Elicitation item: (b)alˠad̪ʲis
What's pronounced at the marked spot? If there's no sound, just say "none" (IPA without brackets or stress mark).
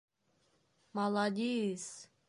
m